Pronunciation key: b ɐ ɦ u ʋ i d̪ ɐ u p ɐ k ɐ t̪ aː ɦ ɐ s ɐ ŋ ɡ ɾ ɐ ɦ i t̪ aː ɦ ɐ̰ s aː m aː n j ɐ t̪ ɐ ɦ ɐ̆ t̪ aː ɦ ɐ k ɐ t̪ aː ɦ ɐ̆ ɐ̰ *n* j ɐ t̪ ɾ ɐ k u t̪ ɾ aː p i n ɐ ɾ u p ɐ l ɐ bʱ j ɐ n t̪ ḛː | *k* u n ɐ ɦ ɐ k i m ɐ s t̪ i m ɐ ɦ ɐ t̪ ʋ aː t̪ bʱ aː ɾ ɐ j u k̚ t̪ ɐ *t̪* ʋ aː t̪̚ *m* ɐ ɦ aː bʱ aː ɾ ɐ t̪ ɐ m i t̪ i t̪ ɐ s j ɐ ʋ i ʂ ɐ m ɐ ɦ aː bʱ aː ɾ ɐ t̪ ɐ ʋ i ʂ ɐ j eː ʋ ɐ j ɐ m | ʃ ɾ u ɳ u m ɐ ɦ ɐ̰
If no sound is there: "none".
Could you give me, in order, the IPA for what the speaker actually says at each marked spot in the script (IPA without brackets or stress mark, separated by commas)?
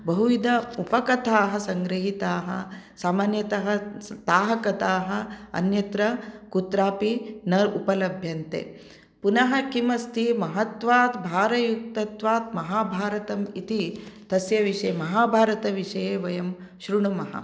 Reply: n, p, t̪, m